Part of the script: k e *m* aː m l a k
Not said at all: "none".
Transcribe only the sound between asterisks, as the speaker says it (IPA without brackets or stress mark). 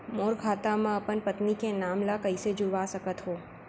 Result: n